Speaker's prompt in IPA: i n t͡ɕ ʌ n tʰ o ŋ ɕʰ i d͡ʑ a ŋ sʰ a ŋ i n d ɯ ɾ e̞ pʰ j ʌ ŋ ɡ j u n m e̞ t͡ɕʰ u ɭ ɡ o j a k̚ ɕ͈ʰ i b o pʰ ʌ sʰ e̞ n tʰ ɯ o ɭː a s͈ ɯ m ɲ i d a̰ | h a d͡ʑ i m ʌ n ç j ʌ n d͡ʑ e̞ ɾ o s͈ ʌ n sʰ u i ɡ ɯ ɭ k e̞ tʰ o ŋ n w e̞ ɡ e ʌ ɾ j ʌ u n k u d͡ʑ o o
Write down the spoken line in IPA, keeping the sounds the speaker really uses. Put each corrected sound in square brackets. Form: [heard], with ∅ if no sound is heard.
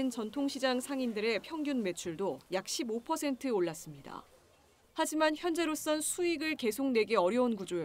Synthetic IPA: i n t͡ɕ ʌ n tʰ o ŋ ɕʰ i d͡ʑ a ŋ sʰ a ŋ i n d ɯ ɾ e̞ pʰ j ʌ ŋ ɡ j u n m e̞ t͡ɕʰ u ɭ [d] o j a k̚ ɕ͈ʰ i b o pʰ ʌ sʰ e̞ n tʰ ɯ o ɭː a s͈ ɯ m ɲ i d a̰ | h a d͡ʑ i m [a] n ç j ʌ n d͡ʑ e̞ ɾ o s͈ ʌ n sʰ u i ɡ ɯ ɭ k e̞ [sʰ] o ŋ n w e̞ ɡ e ʌ ɾ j ʌ u n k u d͡ʑ o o